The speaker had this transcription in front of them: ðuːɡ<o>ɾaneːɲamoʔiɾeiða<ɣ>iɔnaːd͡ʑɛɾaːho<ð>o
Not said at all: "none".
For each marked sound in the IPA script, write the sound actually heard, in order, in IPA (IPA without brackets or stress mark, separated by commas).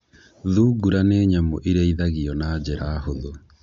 u, ɣ, ð